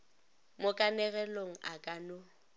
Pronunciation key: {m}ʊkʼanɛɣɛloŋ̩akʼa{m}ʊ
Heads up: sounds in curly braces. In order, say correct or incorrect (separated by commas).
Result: correct, incorrect